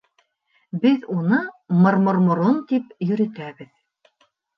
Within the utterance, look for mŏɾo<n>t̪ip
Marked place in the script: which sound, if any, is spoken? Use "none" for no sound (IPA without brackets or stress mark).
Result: n